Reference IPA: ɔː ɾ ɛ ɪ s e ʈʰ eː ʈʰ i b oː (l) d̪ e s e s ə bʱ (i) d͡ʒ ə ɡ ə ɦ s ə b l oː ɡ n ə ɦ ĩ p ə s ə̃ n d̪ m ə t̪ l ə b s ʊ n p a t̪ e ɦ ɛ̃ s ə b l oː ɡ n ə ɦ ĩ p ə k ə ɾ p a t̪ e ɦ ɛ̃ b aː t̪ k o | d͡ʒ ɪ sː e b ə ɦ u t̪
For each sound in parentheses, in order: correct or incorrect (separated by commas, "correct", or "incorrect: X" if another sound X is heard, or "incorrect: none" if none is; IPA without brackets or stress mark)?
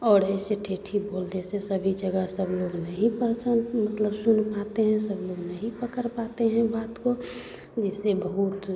correct, correct